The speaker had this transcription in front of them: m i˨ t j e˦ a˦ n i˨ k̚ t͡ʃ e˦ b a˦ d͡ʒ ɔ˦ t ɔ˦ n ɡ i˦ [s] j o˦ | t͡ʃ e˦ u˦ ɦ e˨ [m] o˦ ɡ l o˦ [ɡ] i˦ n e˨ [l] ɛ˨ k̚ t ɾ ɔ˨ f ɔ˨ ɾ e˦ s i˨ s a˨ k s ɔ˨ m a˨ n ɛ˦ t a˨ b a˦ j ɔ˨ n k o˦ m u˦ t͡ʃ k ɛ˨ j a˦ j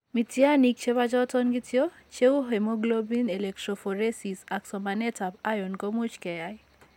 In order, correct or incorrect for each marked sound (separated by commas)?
incorrect, correct, incorrect, correct